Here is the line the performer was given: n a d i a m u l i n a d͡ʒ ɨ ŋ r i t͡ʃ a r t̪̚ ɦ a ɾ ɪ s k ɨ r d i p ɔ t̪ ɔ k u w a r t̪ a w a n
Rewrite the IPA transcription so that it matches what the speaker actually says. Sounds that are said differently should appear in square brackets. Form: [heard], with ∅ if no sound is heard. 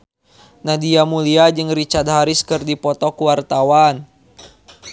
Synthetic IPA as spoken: n a d i a m u l i [∅] a d͡ʒ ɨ ŋ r i t͡ʃ a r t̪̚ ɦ a ɾ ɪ s k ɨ r d i p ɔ t̪ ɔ k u w a r t̪ a w a n